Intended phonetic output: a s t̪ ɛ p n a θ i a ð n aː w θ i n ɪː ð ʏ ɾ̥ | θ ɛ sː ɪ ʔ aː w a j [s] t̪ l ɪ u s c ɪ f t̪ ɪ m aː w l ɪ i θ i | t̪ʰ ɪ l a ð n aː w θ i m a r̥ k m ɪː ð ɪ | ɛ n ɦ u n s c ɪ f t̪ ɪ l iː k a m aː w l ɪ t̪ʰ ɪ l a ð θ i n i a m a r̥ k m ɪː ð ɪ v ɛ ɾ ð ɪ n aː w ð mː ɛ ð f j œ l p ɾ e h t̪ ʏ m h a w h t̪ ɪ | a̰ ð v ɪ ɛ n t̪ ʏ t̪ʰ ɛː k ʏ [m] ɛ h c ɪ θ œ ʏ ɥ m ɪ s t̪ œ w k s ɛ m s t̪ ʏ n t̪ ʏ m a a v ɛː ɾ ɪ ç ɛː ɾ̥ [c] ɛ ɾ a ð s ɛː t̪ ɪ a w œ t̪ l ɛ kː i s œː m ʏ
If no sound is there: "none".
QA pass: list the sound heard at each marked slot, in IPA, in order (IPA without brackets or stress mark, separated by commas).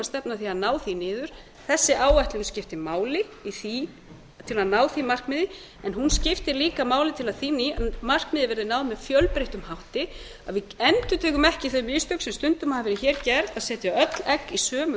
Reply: h, m, c